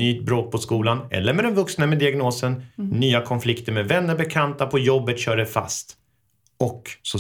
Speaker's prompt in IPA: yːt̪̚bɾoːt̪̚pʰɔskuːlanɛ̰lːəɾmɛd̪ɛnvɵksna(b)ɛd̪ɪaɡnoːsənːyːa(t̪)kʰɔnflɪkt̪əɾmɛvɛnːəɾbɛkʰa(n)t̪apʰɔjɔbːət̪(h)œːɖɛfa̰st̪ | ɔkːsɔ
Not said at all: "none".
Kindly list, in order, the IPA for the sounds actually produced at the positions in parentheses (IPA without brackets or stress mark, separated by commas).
m, none, n, ɕ